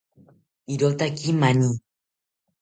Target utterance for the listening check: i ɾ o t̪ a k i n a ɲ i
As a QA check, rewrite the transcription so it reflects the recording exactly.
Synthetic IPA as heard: i ɾ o t̪ a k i m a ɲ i

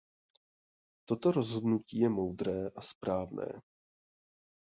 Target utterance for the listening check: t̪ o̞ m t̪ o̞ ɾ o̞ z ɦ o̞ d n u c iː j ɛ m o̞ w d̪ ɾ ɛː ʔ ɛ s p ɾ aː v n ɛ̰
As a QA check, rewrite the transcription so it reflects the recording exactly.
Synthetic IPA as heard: t̪ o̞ t̪ o̞ ɾ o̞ z ɦ o̞ d n u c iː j ɛ m o̞ w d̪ ɾ ɛː ʔ a s p ɾ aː v n ɛ̰ː

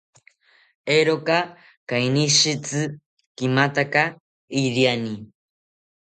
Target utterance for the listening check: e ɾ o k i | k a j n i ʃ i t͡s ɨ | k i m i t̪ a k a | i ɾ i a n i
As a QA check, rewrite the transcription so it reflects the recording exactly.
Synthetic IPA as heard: e ɾ o k a | k a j n i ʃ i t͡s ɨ | k i m a t̪ a k a | i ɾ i a n i

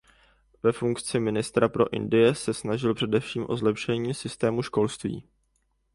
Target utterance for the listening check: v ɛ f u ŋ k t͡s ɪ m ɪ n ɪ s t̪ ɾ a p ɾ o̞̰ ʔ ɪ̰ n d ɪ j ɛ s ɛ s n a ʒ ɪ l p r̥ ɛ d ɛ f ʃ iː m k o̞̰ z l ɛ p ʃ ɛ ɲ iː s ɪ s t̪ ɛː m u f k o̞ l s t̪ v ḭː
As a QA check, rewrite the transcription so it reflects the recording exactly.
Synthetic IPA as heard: v ɛ f u ŋ k t͡s ɪ m ɪ n ɪ s t̪ ɾ a p ɾ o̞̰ ʔ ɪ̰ n d ɪ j ɛ s ɛ s n a ʒ ɪ l p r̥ ɛ d ɛ f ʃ iː m ʔ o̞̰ z l ɛ p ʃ ɛ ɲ iː s ɪ s t̪ ɛː m u ʃ k o̞ l s t̪ v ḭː

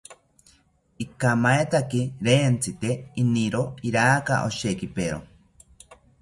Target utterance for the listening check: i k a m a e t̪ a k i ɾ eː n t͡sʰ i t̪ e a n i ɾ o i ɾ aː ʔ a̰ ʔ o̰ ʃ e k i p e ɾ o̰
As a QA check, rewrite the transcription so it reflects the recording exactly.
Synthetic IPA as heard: i k a m a e t̪ a k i ɾ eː n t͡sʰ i t̪ e i n i ɾ o i ɾ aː k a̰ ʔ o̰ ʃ e k i p e ɾ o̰

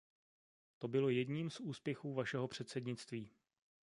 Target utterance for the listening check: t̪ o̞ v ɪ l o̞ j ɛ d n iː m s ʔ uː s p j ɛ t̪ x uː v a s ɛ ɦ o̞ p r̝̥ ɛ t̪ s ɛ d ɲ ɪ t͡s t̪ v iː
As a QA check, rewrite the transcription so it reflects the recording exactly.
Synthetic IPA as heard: t̪ o̞ b ɪ l o̞ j ɛ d ɲ iː m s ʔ uː s p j ɛ x uː v a ʃ ɛ ɦ o̞ p r̝̥ ɛ t̪ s ɛ d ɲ ɪ t͡s t̪ v iː

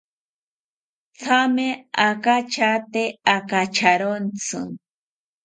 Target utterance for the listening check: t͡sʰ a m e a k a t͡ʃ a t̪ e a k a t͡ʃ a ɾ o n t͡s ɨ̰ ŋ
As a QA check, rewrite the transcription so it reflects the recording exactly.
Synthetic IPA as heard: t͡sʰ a m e a k a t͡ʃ a t̪ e a k a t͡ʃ a ɾ o n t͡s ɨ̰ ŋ

